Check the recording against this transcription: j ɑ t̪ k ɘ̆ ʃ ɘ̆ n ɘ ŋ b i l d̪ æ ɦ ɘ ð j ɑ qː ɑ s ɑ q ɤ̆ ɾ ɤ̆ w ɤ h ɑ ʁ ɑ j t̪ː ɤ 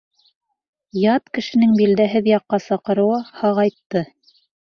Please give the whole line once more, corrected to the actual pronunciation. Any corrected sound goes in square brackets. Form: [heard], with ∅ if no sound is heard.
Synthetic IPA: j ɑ t̪ k ɘ̆ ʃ ɘ̆ n ɘ ŋ b i l d̪ æ ɦ ɘ ð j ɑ qː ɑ s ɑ q ɤ̆ ɾ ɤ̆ w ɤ h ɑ ʁ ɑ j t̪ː ɤ